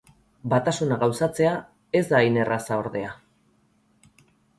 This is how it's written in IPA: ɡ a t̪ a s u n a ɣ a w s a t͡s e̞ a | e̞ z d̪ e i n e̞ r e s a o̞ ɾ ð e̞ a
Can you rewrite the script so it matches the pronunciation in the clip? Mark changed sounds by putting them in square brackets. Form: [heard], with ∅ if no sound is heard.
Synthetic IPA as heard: [b] a t̪ a s u n a ɣ a w s a t͡s e̞ a | e̞ z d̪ [a] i n e̞ r [a] s a o̞ ɾ ð e̞ a